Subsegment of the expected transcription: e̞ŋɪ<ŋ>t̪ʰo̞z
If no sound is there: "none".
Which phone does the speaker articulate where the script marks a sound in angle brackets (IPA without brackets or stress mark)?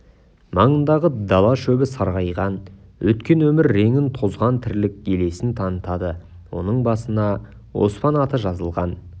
n